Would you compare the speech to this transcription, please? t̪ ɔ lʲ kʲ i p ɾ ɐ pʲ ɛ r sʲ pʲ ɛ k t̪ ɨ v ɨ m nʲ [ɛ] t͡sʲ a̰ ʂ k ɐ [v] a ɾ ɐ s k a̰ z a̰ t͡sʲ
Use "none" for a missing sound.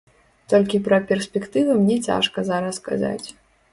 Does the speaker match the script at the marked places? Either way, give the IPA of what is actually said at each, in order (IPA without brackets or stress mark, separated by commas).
ɛ, z